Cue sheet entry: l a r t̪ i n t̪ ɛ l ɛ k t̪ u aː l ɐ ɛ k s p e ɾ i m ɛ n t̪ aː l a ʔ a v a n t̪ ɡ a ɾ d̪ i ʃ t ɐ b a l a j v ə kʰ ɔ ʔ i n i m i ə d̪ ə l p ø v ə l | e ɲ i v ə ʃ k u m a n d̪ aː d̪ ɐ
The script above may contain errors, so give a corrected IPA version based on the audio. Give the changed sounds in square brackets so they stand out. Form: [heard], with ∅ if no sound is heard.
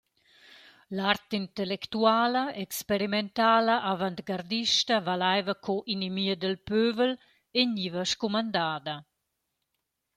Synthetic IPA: l a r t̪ i n t̪ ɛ l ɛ k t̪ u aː l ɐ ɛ k s p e ɾ i m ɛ n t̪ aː l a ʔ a v a n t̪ ɡ a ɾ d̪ i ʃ t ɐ [v] a l a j v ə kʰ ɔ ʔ i n i m i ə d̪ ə l p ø v ə l | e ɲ i v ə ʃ k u m a n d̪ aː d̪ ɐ

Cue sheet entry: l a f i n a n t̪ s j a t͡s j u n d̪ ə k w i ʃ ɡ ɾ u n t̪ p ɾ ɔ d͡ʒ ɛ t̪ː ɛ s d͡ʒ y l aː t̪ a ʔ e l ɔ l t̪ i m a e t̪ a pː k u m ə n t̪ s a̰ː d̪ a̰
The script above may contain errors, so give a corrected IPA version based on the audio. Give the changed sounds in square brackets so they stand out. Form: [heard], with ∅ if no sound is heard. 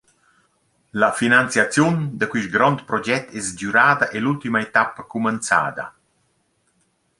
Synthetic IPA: l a f i n a n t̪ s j a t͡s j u n d̪ ə k w i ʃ ɡ ɾ [ɔ] n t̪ p ɾ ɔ d͡ʒ ɛ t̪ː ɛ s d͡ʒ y [ɾ] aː [d̪] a ʔ e l [u] l t̪ i m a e t̪ a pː k u m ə n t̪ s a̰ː d̪ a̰

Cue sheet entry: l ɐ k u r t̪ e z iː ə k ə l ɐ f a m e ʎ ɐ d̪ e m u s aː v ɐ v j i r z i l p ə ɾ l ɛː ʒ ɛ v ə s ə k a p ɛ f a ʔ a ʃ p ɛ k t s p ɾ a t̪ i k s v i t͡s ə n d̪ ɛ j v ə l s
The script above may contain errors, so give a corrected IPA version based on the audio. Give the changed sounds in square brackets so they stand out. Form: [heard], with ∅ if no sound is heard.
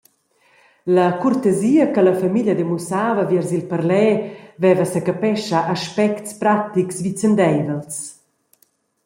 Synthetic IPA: l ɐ k u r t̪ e z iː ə k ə l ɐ f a m [i] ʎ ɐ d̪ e m u s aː v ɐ v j [ɛ] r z i l p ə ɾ l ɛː [v] ɛ v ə s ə k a p ɛ [ʃ] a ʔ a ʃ p ɛ k t s p ɾ a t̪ i k s v i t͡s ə n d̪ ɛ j v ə l s

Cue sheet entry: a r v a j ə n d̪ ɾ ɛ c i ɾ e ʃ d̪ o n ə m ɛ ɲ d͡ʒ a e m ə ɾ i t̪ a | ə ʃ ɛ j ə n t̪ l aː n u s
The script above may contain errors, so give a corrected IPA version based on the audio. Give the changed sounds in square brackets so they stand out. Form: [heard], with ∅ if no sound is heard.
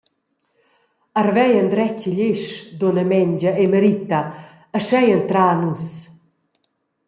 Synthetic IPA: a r v [ɛ] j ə n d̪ ɾ ɛ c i [ʎ] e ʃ d̪ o n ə m ɛ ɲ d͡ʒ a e m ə ɾ i t̪ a | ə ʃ ɛ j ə n t̪ [ɾ] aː n u s

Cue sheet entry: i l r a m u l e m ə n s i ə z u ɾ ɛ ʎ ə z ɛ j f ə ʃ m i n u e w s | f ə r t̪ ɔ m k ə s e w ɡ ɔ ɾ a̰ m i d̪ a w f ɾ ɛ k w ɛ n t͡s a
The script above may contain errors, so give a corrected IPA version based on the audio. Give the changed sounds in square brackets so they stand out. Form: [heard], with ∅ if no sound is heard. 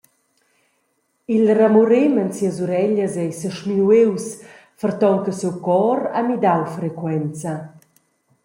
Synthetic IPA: i l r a m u [ɾ] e m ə n s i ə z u ɾ ɛ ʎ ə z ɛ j [s] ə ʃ m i n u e w s | f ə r t̪ ɔ [ŋ] k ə s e w [k] ɔ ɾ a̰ m i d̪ a w f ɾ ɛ k w ɛ n t͡s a

